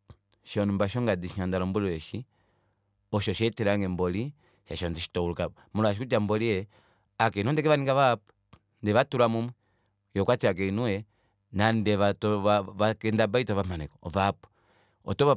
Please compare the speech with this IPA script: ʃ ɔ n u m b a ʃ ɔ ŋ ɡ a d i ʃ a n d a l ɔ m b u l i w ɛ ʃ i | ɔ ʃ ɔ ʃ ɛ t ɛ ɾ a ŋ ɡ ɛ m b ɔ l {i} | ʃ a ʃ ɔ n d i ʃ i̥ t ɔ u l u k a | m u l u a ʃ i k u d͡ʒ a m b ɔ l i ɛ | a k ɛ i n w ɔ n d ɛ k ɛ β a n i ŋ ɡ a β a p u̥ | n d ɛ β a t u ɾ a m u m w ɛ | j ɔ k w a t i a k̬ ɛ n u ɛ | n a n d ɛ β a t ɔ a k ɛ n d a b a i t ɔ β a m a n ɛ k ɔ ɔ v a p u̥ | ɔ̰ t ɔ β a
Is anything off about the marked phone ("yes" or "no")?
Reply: no